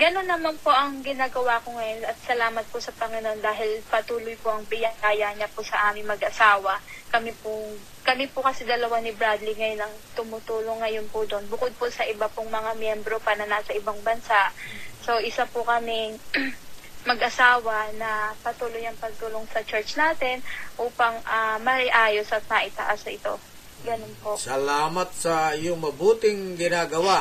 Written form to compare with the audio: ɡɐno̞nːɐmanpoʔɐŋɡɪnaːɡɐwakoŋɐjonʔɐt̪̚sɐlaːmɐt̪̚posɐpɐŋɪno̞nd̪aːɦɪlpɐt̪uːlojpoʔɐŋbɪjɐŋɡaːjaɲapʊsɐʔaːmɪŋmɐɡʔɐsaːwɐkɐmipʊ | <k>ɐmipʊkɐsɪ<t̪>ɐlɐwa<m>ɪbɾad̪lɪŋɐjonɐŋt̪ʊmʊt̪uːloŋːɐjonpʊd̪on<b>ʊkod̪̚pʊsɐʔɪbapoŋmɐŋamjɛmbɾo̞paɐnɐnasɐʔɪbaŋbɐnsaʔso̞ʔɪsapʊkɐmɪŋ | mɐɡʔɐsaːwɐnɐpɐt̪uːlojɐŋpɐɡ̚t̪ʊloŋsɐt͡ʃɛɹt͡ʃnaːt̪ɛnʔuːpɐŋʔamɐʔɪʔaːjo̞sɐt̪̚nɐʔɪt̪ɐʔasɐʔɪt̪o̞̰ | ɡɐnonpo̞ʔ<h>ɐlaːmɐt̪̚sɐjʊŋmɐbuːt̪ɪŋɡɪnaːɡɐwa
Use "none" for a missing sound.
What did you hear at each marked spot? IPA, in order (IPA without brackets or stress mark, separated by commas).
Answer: k, d̪, n, b, s